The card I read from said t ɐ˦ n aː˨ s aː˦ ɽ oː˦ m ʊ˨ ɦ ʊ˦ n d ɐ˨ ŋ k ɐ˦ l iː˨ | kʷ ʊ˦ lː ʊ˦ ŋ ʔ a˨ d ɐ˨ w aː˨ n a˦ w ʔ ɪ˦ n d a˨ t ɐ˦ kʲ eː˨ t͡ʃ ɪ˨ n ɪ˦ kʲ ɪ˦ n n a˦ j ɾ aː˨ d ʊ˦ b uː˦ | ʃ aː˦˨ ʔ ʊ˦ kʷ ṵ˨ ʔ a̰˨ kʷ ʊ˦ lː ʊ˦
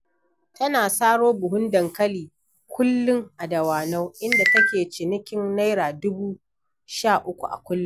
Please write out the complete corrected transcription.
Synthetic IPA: t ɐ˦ n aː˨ s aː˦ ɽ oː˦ b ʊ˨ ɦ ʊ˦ n d ɐ˨ ŋ k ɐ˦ l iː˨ | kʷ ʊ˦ lː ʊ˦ ŋ ʔ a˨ d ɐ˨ w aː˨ n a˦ w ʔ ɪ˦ n d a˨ t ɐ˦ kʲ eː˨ t͡ʃ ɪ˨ n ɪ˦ kʲ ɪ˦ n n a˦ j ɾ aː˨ d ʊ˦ b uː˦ | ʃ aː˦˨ ʔ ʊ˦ kʷ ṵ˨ ʔ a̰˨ kʷ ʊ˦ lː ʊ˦